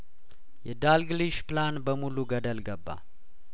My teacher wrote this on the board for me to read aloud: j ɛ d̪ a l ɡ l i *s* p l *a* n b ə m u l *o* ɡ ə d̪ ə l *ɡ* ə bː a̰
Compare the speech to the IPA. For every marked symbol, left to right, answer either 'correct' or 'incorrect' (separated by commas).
incorrect, correct, incorrect, correct